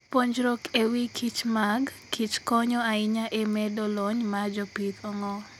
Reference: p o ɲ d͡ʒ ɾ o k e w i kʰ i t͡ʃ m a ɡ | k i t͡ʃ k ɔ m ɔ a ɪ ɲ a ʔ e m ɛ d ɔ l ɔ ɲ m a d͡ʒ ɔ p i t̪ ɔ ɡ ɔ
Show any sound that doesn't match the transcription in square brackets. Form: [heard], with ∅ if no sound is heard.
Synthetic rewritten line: p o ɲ d͡ʒ ɾ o k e w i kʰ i t͡ʃ m a ɡ | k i t͡ʃ k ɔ [ɲ] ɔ a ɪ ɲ a ʔ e m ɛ d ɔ l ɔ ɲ m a d͡ʒ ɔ p i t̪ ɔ [ŋ] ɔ

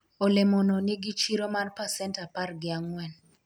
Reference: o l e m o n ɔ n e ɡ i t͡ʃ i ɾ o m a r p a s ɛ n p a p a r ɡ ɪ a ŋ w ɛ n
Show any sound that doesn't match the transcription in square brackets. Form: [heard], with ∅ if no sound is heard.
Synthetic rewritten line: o l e m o n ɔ n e ɡ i t͡ʃ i ɾ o m a r p a s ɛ n [t] a p a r ɡ ɪ a ŋ w ɛ n

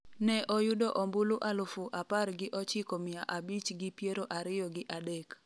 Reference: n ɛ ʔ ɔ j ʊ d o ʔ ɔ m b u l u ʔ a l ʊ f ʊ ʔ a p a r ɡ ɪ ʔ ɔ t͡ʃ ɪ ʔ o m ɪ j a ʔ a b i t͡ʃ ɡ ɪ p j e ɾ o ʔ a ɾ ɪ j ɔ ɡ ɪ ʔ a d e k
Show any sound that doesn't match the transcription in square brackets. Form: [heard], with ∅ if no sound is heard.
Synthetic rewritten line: n ɛ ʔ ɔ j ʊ d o ʔ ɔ m b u l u ʔ a l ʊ f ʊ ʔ a p a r ɡ ɪ ʔ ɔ t͡ʃ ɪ [k] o m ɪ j a ʔ a b i t͡ʃ ɡ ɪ p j e ɾ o ʔ a ɾ ɪ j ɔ ɡ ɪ ʔ a d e k

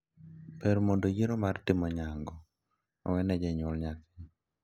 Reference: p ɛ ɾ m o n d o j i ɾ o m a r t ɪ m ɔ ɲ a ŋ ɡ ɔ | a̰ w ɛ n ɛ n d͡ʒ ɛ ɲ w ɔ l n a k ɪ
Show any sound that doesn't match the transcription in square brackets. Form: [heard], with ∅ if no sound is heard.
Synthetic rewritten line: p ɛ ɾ m o n d o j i ɾ o m a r t ɪ m ɔ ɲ a ŋ ɡ ɔ | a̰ w ɛ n ɛ [∅] d͡ʒ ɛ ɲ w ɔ l [ɲ] a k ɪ

